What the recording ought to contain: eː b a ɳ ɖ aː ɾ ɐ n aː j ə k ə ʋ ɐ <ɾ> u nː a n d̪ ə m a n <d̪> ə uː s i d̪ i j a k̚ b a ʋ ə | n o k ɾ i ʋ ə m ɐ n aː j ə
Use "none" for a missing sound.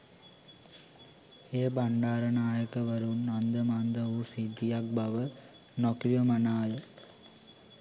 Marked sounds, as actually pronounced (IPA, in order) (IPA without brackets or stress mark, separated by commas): ɾ, d̪